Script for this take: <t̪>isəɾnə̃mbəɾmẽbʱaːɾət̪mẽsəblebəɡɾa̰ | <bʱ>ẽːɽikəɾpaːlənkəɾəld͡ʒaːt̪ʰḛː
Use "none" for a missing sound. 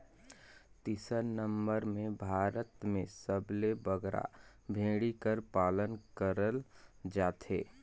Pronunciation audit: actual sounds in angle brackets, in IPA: t̪, bʱ

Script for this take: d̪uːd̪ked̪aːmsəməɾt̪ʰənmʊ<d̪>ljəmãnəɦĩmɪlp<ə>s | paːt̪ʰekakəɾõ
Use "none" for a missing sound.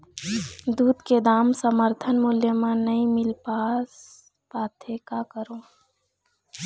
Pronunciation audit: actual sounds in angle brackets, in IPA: none, a

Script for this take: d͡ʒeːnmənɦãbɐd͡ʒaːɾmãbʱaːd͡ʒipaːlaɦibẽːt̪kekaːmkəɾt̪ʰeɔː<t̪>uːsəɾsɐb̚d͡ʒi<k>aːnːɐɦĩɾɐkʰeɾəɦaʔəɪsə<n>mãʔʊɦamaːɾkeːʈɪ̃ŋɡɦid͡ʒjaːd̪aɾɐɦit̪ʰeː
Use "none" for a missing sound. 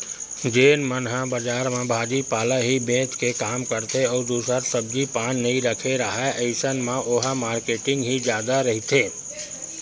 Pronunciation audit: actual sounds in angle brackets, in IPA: d̪, p, n

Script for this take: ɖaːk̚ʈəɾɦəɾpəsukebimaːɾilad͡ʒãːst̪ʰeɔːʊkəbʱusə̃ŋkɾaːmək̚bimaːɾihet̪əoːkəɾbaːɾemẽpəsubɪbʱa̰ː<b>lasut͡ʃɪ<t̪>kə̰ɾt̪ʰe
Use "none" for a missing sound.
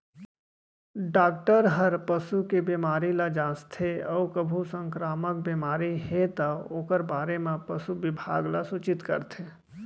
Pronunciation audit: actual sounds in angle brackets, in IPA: ɡ, t̪

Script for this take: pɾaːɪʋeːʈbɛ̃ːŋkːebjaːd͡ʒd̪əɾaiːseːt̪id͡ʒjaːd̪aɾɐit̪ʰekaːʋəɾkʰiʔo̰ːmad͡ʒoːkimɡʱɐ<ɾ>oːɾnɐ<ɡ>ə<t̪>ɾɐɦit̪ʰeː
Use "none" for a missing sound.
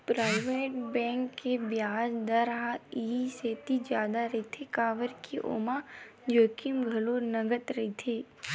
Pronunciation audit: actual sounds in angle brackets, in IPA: l, ɡ, t̪

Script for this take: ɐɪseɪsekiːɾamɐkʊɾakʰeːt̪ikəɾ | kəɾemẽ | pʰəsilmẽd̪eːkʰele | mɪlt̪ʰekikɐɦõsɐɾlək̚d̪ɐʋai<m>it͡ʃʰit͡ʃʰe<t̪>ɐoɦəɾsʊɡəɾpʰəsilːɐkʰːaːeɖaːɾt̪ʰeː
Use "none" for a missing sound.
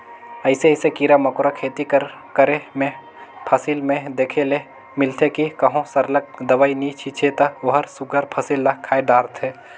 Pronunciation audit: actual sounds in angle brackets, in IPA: n, t̪

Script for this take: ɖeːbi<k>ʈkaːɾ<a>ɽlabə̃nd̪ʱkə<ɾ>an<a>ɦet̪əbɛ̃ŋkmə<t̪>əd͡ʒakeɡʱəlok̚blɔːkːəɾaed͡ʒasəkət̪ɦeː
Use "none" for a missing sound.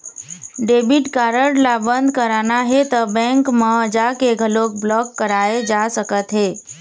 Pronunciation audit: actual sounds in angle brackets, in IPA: none, ə, ɾ, a, none

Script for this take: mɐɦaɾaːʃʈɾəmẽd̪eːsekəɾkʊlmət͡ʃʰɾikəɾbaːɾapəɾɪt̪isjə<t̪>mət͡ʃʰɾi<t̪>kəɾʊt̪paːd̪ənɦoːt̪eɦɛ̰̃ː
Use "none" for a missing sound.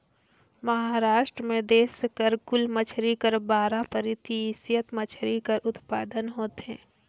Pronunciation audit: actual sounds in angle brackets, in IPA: t̪, none

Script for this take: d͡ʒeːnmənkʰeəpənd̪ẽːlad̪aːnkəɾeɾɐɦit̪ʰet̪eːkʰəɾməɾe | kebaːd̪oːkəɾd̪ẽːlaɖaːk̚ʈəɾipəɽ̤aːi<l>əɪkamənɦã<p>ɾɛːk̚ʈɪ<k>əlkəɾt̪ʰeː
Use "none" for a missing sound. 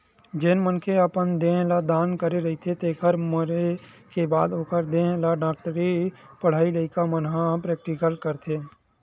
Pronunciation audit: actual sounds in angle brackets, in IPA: l, p, k

